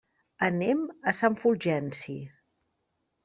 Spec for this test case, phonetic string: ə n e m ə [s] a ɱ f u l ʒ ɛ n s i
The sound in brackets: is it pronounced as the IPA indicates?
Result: yes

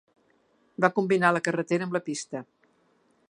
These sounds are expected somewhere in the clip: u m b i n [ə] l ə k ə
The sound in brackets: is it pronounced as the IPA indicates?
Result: no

